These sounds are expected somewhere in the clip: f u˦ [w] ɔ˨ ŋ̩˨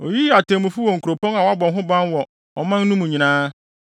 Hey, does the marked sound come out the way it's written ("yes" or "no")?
yes